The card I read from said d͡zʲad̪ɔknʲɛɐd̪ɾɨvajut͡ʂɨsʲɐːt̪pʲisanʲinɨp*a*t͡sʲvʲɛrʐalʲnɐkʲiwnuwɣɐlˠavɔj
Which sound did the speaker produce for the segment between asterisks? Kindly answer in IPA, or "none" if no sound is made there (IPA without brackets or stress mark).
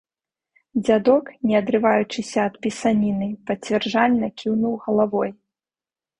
ɐ